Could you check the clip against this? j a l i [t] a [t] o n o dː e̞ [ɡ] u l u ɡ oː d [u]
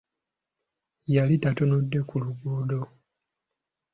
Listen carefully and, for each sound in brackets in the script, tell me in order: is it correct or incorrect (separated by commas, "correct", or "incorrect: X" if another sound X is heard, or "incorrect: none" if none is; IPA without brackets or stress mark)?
correct, correct, incorrect: k, incorrect: o